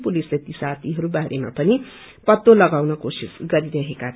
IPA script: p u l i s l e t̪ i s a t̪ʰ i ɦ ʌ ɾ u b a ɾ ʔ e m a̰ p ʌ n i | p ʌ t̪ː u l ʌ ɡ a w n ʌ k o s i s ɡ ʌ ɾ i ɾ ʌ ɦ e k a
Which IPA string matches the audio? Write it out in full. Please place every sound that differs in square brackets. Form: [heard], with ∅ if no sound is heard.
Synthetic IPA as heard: p u l i s l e t̪ i s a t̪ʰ i ɦ ʌ ɾ u b a ɾ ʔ e m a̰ p ʌ n i | p ʌ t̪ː [o] l ʌ ɡ a w n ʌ k o s i s ɡ ʌ ɾ i ɾ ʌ ɦ e k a